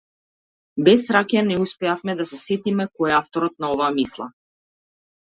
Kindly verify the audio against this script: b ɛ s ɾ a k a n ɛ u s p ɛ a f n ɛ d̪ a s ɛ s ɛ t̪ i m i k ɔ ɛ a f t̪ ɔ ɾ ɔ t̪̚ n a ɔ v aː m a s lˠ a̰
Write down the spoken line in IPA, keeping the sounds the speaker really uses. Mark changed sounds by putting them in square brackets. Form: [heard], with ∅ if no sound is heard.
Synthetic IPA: b ɛ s ɾ a k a n ɛ u s p ɛ a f [m] ɛ d̪ a s ɛ s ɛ t̪ i m [ɛ] k ɔ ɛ a f t̪ ɔ ɾ ɔ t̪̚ n a ɔ v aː m [i] s lˠ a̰